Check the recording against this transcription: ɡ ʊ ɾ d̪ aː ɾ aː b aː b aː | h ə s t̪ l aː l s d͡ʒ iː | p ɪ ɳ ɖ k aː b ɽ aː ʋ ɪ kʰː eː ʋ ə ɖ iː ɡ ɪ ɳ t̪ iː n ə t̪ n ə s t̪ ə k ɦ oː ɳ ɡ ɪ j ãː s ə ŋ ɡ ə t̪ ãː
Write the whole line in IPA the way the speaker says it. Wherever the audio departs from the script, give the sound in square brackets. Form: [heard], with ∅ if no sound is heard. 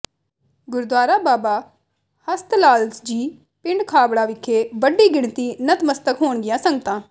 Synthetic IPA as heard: ɡ ʊ ɾ d̪ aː ɾ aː b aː b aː | h ə s t̪ l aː l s d͡ʒ iː | p ɪ ɳ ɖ [kʰ] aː b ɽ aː ʋ ɪ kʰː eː ʋ ə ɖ iː ɡ ɪ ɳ t̪ iː n ə t̪ [m] ə s t̪ ə k ɦ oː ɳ ɡ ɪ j ãː s ə ŋ ɡ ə t̪ ãː

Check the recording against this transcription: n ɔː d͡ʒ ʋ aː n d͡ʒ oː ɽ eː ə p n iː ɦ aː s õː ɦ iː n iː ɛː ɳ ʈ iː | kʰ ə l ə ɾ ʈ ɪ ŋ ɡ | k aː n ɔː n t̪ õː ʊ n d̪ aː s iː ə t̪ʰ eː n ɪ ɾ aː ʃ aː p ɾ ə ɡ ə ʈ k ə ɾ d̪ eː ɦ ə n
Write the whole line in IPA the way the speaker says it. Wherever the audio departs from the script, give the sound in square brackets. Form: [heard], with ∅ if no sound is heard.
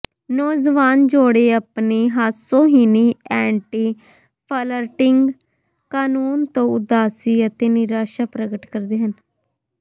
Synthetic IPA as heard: n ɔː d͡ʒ ʋ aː n d͡ʒ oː ɽ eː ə p n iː ɦ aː s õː ɦ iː n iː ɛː ɳ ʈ iː | [pʰ] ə l ə ɾ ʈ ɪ ŋ ɡ | k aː n [uː] n t̪ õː ʊ [∅] d̪ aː s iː ə [t̪] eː n ɪ ɾ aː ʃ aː p ɾ ə ɡ ə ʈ k ə ɾ d̪ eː ɦ ə n

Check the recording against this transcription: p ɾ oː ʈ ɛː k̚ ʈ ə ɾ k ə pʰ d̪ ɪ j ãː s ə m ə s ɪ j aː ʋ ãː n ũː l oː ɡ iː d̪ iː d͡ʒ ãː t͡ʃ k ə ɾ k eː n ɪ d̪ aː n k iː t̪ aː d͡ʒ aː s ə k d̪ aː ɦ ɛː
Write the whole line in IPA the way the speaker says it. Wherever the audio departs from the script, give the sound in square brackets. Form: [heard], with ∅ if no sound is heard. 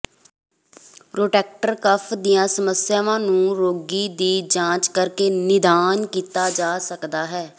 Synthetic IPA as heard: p ɾ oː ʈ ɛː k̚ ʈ ə ɾ k ə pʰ d̪ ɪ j ãː s ə m ə s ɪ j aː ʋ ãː n ũː [ɾ] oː ɡ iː d̪ iː d͡ʒ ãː t͡ʃ k ə ɾ k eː n ɪ d̪ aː n k iː t̪ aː d͡ʒ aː s ə k d̪ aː ɦ ɛː

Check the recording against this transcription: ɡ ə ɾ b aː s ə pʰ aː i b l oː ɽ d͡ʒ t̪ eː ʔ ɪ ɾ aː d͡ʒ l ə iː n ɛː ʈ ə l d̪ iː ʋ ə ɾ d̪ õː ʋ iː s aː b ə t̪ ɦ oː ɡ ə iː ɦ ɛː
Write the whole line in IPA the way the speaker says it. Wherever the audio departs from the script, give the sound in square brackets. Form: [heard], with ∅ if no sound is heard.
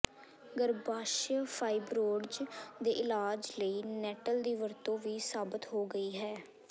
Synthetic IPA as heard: ɡ ə ɾ b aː [ʃ] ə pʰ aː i b [ɾ] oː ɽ d͡ʒ [d̪] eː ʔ ɪ [l] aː d͡ʒ l ə iː n ɛː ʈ ə l d̪ iː ʋ ə ɾ [t̪] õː ʋ iː s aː b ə t̪ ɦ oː ɡ ə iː ɦ ɛː

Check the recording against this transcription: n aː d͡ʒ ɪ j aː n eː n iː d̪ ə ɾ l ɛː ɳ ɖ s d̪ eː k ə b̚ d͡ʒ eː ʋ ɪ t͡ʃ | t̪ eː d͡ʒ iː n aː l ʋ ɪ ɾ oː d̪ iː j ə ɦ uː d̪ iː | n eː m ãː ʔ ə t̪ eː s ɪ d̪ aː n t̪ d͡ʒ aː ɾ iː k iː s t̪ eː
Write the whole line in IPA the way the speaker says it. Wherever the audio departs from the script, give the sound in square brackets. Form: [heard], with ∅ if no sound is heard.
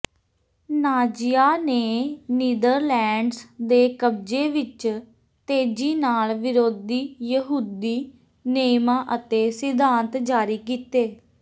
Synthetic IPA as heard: n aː d͡ʒ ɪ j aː n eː n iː d̪ ə ɾ l ɛː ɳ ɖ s d̪ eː k ə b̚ d͡ʒ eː ʋ ɪ t͡ʃ | t̪ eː d͡ʒ iː n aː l ʋ ɪ ɾ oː d̪ iː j ə ɦ uː d̪ iː | n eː m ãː ʔ ə t̪ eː s ɪ d̪ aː n t̪ d͡ʒ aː ɾ iː k iː [∅] t̪ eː

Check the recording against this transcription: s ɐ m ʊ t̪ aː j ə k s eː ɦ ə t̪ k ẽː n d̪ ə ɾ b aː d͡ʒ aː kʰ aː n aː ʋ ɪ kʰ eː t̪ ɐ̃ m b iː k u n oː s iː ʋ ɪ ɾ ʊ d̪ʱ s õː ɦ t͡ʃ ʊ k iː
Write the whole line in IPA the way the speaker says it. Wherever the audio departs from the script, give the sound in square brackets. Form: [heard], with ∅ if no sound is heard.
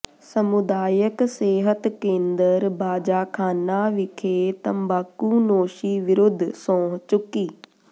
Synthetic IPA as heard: s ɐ m ʊ [d̪] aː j ə k s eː ɦ ə t̪ k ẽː n d̪ ə ɾ b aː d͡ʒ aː kʰ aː n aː ʋ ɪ kʰ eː t̪ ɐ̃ m b [aː] k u n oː [ʃ] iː ʋ ɪ ɾ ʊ d̪ʱ s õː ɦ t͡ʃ ʊ k iː

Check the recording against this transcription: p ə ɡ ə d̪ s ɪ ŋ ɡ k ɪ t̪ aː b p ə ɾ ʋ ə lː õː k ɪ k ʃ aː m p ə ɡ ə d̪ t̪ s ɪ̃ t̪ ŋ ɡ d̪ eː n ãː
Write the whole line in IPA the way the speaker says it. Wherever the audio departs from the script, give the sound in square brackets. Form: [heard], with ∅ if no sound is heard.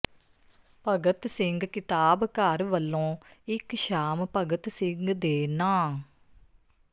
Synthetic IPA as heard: p ə ɡ ə [t̪] s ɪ ŋ ɡ k ɪ t̪ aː b [k] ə ɾ ʋ ə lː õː [∅] ɪ k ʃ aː m p ə ɡ ə [∅] t̪ s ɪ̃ [∅] ŋ ɡ d̪ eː n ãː

